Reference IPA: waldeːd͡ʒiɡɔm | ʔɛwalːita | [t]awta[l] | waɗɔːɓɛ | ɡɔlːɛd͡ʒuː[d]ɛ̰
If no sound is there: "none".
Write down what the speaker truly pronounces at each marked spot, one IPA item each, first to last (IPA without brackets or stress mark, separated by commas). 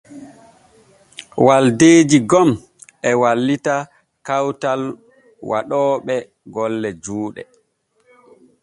k, l, ɗ